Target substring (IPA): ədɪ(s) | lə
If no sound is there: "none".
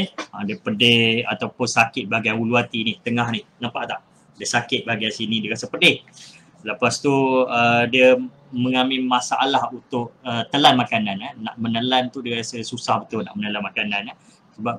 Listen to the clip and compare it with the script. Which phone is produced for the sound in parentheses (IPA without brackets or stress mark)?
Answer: h